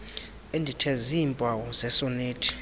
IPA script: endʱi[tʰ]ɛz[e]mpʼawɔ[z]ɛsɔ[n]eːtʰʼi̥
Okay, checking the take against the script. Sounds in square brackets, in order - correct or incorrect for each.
correct, incorrect: i, correct, correct

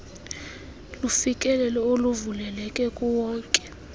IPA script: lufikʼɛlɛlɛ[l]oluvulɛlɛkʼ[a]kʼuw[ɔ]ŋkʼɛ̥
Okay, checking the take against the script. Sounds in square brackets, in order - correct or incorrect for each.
incorrect: none, incorrect: ɛ, incorrect: ɔː

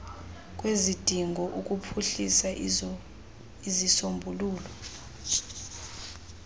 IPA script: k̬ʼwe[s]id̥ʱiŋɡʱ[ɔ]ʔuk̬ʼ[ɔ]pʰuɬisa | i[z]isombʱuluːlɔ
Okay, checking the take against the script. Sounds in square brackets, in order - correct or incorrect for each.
incorrect: z, correct, incorrect: u, correct

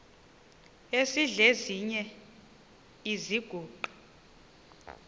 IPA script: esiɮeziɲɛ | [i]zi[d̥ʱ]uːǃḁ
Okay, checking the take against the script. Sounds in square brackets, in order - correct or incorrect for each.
correct, incorrect: ɡ̥ʱ

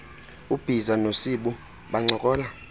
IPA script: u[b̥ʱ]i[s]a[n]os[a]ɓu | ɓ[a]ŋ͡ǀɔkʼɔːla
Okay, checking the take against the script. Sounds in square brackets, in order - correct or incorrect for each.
correct, incorrect: z, correct, incorrect: i, correct

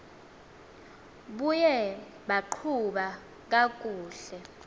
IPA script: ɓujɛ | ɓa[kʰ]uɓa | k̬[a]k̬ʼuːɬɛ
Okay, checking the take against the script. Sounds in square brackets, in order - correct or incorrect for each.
incorrect: ǃʰ, correct

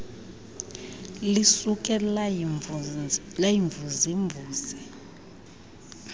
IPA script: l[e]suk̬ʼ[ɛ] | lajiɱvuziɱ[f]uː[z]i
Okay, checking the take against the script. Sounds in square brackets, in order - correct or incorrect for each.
incorrect: i, correct, incorrect: v, correct

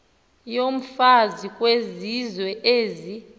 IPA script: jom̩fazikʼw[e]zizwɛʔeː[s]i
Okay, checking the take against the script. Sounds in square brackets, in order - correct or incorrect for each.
correct, incorrect: z

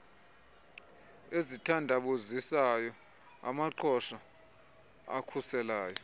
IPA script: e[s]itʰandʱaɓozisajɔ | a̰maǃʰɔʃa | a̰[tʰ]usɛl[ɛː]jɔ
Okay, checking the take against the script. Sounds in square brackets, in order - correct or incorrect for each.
incorrect: z, incorrect: kʰ, incorrect: aː

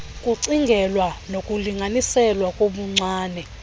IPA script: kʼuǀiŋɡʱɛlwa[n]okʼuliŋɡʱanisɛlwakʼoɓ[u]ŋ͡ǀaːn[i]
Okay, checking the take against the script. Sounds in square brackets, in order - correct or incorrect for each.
correct, correct, incorrect: ɛ

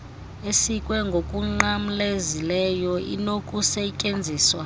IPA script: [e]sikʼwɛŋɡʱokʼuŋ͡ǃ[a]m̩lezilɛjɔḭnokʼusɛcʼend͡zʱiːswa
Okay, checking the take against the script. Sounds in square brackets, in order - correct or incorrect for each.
correct, correct

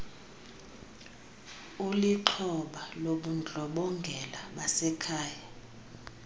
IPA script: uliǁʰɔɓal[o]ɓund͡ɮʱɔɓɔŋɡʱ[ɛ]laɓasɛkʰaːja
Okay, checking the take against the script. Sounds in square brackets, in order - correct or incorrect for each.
correct, correct

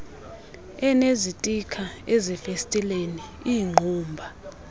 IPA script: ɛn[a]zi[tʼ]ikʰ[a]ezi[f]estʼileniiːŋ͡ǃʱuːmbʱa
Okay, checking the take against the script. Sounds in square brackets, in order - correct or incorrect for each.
incorrect: e, correct, correct, correct

